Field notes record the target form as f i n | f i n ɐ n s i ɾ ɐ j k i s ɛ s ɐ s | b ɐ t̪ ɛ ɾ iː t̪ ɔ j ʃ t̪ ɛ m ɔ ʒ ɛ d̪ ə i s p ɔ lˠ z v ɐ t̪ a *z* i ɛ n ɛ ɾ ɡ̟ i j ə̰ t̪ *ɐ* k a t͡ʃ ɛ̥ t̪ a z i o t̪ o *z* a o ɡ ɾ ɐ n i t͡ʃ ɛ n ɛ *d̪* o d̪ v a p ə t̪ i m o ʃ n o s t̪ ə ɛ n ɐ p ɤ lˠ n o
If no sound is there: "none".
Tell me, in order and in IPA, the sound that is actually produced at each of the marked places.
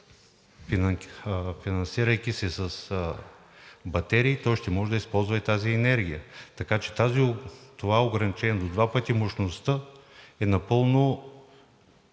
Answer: z, ɐ, v, d̪

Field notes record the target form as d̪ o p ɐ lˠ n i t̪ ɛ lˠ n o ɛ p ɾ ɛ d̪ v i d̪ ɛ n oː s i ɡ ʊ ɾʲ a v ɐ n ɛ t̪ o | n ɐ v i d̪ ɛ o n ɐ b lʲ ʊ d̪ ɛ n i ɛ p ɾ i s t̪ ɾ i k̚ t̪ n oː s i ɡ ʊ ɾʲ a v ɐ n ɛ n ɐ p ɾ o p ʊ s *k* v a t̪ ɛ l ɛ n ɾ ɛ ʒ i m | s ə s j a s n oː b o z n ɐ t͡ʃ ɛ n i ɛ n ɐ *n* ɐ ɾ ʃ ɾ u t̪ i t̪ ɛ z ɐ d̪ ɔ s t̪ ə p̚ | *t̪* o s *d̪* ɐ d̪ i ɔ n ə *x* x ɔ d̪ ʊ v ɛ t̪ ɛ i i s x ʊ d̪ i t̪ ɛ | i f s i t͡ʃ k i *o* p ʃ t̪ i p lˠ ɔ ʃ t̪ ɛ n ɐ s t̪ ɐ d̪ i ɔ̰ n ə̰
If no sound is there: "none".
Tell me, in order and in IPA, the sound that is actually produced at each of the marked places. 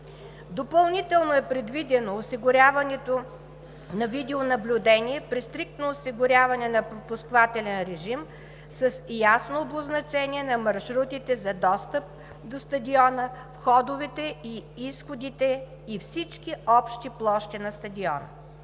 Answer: k, m, d̪, t̪, f, ɔ

